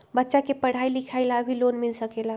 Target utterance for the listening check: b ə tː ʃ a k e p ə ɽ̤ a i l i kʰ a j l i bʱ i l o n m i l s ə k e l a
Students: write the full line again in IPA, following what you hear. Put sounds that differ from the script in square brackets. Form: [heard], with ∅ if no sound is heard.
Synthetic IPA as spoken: b ə tː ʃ a k e p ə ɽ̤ a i l i kʰ a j l [a] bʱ i l o n m i l s ə k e l a